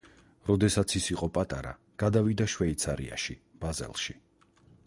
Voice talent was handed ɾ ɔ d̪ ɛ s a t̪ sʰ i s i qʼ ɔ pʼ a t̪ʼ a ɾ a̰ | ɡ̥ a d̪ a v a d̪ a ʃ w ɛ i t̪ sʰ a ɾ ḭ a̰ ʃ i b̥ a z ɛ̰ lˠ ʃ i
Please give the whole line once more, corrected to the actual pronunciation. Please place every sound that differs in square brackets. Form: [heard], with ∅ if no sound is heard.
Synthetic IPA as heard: ɾ ɔ d̪ ɛ s a t̪ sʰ i s i qʼ ɔ pʼ a t̪ʼ a ɾ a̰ | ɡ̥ a d̪ a v [i] d̪ a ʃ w ɛ i t̪ sʰ a ɾ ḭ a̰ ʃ i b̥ a z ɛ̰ lˠ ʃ i